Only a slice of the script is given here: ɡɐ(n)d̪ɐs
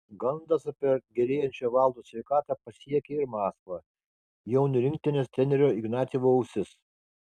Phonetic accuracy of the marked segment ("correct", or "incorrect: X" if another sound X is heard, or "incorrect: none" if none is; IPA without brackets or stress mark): correct